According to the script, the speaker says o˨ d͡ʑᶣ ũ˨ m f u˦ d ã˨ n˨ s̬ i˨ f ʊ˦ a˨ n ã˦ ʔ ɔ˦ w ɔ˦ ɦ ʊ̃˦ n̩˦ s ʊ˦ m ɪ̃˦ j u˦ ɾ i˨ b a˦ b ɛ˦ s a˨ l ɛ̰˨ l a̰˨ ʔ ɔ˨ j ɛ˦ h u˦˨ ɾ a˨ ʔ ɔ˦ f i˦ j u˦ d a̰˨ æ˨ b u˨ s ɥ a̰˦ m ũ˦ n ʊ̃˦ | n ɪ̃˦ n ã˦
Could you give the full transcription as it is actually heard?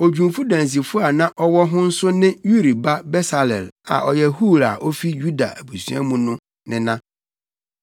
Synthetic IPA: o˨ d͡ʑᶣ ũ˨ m f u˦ d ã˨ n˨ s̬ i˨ f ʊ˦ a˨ n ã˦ ʔ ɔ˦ w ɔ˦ ɦ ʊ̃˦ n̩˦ s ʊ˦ n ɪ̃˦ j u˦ ɾ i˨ b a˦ b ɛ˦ s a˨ l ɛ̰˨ l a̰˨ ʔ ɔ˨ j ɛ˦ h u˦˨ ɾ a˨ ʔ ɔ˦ f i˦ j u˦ d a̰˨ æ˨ b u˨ s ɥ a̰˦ m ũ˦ n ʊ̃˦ | n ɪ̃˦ n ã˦